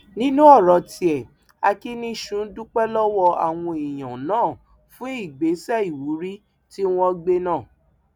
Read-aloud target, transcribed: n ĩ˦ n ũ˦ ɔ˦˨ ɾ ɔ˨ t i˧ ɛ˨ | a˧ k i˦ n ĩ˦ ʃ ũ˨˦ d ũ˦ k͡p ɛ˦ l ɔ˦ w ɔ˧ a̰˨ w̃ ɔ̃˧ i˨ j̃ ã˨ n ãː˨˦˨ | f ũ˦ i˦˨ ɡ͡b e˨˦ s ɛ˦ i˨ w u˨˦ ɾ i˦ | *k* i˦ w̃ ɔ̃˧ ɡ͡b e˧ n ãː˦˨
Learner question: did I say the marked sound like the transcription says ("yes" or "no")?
no